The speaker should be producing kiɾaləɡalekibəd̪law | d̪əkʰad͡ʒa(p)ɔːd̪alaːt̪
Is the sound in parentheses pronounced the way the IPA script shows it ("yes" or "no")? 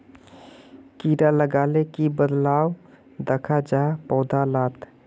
yes